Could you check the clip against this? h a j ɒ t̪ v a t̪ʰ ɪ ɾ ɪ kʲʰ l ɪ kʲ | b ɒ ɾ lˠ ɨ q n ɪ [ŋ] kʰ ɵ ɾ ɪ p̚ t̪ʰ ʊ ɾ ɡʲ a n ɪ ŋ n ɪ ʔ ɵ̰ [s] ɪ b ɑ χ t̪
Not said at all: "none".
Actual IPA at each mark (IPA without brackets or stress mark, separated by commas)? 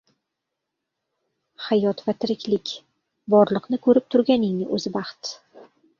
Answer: none, z